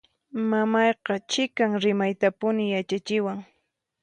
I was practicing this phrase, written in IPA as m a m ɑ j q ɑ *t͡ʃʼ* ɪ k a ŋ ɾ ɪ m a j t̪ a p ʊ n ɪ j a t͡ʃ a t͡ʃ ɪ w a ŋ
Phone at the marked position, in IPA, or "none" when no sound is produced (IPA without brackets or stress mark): t͡ʃ